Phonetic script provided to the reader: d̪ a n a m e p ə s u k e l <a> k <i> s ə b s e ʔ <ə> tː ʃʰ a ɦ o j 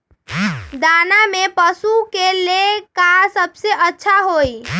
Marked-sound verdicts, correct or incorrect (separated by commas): incorrect, incorrect, correct